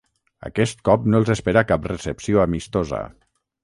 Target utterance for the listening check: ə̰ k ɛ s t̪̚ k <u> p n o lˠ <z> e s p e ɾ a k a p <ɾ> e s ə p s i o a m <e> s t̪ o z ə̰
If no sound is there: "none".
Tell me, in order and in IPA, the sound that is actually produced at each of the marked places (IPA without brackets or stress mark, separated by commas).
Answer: ɔ, z, r, i